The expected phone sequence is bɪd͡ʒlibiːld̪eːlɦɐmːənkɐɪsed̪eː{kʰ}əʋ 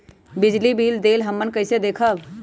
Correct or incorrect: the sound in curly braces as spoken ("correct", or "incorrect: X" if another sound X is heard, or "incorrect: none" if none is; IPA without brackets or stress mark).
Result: correct